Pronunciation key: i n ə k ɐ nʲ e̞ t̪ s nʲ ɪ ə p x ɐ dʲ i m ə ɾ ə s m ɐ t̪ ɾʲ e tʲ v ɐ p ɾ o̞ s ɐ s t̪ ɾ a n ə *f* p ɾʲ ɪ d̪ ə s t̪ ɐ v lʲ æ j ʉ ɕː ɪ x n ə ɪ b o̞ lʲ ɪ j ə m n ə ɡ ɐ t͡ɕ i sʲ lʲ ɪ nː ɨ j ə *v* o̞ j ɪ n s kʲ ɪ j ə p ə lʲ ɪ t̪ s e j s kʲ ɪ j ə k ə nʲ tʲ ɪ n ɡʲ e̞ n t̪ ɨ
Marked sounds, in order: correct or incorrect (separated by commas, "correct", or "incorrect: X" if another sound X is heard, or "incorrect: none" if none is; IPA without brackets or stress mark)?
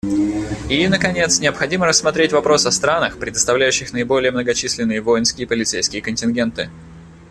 incorrect: x, correct